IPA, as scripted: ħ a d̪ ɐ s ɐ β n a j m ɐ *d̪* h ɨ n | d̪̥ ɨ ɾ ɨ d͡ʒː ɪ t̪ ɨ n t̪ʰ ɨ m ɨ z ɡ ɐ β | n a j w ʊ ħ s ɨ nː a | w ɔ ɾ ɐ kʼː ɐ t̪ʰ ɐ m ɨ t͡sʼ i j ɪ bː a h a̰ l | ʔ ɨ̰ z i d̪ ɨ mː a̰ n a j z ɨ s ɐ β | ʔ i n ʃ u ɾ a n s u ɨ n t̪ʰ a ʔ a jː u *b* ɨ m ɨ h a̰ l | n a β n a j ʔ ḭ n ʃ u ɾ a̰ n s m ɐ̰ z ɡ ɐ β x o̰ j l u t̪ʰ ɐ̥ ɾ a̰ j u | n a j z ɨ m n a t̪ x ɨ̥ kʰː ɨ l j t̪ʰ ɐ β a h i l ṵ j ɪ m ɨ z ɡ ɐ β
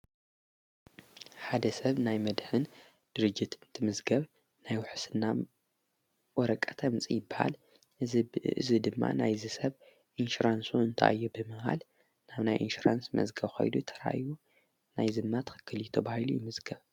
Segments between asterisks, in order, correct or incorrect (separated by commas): correct, correct